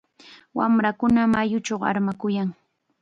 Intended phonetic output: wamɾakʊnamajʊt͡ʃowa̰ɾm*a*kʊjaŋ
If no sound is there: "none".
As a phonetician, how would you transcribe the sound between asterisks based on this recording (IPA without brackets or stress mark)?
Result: a